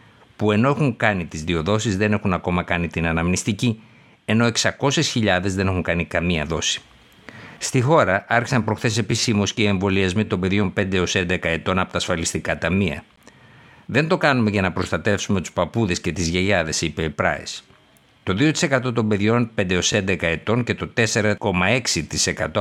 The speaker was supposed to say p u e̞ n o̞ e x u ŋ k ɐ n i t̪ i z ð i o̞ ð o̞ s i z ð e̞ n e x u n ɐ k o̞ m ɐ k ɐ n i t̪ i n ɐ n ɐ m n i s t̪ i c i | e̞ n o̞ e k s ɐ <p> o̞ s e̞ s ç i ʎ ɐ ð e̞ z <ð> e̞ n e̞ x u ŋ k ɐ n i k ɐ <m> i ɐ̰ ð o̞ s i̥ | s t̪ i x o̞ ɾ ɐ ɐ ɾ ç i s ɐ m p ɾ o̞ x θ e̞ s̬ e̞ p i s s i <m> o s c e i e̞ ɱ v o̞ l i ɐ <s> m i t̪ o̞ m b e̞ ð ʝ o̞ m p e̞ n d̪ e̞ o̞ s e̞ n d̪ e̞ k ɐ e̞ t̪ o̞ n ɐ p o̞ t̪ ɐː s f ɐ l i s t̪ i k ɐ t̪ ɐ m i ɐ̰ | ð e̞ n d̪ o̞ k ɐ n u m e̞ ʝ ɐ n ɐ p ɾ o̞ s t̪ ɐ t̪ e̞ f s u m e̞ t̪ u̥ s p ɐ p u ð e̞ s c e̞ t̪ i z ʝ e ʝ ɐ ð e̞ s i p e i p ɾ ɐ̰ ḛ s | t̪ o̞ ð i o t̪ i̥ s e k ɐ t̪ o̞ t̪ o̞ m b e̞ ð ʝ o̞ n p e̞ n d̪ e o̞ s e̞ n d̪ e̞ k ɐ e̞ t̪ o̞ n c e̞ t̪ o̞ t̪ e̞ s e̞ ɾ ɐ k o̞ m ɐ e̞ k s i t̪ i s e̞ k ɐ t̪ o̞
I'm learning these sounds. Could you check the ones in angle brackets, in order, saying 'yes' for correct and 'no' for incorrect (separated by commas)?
no, yes, yes, yes, no